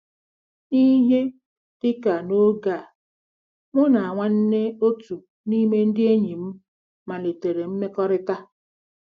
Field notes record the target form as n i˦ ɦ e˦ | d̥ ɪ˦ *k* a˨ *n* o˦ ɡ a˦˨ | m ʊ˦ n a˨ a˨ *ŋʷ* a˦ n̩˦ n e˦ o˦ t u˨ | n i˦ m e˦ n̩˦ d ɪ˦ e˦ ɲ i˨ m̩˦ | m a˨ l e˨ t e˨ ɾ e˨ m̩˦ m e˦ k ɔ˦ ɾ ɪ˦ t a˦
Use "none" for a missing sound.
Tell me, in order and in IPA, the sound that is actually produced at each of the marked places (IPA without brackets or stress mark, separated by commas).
k, n, ŋʷ